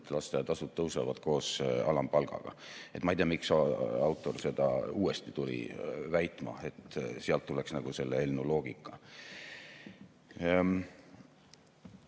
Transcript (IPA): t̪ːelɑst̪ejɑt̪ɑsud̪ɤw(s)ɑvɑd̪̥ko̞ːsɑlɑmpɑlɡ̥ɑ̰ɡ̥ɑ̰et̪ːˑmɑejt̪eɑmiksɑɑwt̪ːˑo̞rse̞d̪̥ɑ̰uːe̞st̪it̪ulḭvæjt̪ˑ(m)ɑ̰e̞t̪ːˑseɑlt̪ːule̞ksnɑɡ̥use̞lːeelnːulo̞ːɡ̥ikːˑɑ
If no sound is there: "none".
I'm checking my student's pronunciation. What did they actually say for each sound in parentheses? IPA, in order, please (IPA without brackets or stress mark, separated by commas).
s, m